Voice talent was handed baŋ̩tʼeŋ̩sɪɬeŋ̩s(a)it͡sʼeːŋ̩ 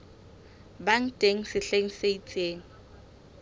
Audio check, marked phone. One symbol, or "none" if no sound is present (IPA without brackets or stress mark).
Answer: e